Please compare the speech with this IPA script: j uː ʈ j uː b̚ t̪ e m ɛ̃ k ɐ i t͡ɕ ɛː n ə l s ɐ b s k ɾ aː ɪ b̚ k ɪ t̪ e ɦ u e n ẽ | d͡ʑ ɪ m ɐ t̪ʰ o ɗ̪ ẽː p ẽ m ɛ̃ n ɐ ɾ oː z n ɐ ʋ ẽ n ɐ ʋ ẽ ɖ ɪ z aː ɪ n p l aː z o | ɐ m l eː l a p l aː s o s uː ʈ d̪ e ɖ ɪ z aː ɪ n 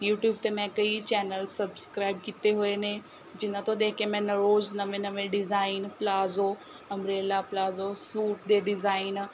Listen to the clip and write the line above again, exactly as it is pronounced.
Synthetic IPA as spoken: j uː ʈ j uː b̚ t̪ e m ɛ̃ k ɐ i t͡ɕ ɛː n ə l s ɐ b s k ɾ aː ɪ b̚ k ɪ t̪ e ɦ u e n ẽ | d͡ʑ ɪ n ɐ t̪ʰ o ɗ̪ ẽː k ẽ m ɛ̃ n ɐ ɾ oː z n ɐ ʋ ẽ n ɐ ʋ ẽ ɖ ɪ z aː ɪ n p l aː z o | ɐ m ɾ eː l a p l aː z o s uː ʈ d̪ e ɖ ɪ z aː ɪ n